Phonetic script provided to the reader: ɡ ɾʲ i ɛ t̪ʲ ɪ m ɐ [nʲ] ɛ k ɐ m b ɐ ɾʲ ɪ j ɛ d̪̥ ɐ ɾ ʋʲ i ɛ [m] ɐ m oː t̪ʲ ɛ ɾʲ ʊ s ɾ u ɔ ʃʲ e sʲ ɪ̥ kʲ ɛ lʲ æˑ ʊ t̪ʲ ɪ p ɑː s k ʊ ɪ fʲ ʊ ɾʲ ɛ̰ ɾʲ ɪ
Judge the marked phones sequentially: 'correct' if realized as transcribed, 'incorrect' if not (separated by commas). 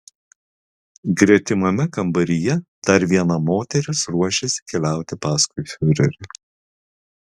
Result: incorrect, incorrect